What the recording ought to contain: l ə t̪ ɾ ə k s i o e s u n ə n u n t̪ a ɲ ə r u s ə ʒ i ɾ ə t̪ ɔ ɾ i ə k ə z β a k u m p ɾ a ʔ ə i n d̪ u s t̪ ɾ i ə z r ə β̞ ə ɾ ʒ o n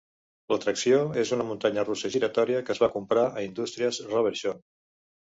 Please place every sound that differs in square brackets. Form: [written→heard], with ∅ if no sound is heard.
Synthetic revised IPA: l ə t̪ ɾ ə k s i o e [s→z] u n ə [n→m] u n t̪ a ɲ ə r u s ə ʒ i ɾ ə t̪ ɔ ɾ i ə k ə z β a k u m p ɾ a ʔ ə i n d̪ u s t̪ ɾ i ə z r ə β̞ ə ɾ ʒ o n